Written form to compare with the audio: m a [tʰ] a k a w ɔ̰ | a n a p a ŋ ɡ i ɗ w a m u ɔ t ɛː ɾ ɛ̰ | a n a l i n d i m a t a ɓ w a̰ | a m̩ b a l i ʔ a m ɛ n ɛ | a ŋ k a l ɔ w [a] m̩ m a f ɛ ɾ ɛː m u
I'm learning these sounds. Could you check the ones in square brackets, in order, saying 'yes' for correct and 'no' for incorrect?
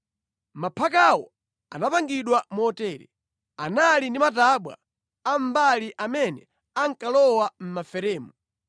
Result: no, yes

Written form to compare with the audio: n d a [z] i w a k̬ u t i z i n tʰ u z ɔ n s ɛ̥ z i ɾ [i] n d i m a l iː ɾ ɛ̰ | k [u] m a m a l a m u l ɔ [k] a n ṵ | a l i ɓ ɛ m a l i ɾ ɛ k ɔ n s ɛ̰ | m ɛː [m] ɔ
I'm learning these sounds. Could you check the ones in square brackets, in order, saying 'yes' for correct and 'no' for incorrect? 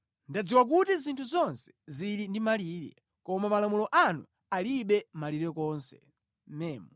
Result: no, yes, no, no, yes

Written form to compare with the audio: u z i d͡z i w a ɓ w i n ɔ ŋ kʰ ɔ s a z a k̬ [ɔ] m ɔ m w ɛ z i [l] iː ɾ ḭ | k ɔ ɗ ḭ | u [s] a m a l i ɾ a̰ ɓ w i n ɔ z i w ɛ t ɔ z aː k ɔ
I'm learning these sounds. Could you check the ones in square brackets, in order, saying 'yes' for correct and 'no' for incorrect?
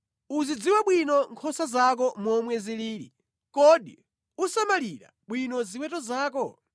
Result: yes, yes, yes

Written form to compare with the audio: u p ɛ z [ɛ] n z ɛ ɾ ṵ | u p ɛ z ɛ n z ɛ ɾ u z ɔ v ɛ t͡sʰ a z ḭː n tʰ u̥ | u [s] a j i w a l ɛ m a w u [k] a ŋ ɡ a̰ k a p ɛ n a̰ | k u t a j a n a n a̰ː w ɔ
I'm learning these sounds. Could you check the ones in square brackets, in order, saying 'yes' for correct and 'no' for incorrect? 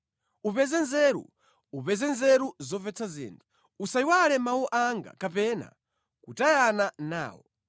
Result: yes, yes, no

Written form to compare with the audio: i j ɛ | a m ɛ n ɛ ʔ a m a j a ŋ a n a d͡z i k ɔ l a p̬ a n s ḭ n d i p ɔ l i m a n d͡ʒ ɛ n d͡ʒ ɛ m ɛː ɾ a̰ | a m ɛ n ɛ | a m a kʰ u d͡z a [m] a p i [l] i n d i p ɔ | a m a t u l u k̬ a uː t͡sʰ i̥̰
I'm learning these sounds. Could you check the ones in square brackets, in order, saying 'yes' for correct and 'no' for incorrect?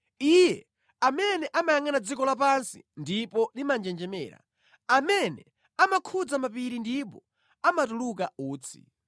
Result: yes, no

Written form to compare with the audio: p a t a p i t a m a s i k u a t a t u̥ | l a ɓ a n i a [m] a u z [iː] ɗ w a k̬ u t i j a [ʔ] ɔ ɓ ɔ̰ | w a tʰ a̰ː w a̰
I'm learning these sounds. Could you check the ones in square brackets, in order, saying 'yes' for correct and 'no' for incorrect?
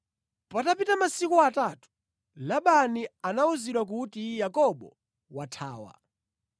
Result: no, no, no

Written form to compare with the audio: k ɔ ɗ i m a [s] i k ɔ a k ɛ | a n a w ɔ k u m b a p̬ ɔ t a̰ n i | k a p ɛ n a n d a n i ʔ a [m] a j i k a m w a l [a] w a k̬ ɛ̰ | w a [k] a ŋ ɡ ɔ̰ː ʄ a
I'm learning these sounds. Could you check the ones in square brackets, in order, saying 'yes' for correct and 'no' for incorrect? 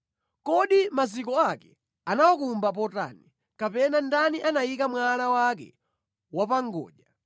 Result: no, no, yes, no

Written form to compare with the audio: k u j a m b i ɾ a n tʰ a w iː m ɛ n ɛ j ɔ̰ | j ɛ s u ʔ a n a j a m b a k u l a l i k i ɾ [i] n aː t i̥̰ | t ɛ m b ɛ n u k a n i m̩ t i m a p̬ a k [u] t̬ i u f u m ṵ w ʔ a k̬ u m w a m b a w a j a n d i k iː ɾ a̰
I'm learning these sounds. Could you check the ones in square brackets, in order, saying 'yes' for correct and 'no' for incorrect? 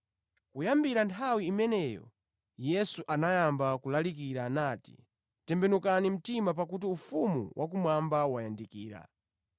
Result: no, yes

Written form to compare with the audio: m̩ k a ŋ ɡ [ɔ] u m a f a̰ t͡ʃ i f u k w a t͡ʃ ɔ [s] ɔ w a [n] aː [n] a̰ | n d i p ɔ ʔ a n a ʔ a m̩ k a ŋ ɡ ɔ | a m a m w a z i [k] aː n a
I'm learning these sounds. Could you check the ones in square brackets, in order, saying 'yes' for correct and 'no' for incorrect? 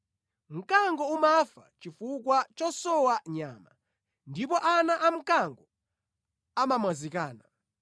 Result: yes, yes, no, no, yes

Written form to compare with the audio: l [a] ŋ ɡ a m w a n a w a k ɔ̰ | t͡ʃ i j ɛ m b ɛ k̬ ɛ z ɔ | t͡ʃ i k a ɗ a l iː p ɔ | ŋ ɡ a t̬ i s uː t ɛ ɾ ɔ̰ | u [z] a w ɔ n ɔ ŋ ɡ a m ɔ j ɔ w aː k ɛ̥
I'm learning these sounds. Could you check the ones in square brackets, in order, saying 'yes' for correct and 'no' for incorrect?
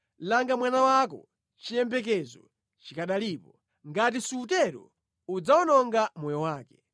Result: yes, no

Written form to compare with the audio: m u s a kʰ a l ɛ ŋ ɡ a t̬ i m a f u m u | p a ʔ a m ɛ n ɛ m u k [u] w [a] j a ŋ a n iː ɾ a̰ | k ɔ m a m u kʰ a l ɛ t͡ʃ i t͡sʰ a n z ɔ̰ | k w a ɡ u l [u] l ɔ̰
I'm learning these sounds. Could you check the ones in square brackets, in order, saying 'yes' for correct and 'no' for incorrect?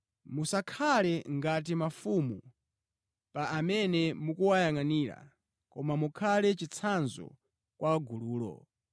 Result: yes, yes, no

